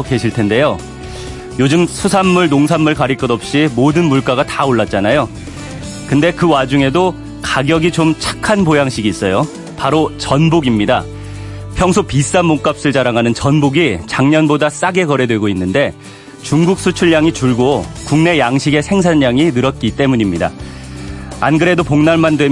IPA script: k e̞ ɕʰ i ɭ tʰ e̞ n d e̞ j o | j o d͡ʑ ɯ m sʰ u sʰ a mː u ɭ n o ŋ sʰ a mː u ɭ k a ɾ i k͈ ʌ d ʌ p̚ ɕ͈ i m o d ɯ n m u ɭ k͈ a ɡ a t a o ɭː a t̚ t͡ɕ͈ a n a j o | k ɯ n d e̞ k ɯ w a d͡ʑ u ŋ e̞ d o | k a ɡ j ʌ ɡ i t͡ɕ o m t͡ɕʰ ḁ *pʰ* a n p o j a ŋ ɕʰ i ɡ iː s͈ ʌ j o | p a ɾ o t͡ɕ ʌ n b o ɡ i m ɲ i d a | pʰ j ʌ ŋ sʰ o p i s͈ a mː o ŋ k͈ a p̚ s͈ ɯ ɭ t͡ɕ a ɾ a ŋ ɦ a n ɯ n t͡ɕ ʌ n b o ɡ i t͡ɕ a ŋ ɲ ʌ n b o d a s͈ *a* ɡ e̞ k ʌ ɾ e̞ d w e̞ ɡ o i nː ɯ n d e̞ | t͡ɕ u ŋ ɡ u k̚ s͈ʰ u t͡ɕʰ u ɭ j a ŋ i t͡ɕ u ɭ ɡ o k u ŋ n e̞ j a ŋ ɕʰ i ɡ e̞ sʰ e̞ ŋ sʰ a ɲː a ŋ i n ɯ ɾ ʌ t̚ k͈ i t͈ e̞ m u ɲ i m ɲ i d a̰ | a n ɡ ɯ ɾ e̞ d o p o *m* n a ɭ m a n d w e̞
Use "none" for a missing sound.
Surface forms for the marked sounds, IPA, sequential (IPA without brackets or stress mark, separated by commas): kʰ, a, ŋ